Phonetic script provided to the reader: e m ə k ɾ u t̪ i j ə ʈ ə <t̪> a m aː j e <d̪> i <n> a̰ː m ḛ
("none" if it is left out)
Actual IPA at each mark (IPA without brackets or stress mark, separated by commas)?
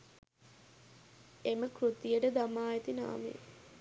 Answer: d̪, t̪, n